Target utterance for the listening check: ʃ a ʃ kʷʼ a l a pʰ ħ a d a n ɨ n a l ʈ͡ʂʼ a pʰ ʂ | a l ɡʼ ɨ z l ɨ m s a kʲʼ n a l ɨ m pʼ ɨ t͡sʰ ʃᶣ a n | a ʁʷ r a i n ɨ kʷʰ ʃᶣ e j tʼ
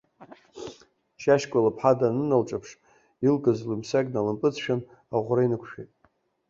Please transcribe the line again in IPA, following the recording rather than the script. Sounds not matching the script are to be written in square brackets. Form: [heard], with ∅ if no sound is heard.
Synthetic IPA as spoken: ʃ a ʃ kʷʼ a l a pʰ ħ a d a n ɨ n a l ʈ͡ʂʼ a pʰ ʂ | [i] l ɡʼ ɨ z l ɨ m s a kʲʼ n a l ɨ m pʼ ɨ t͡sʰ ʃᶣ a n | a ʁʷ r a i n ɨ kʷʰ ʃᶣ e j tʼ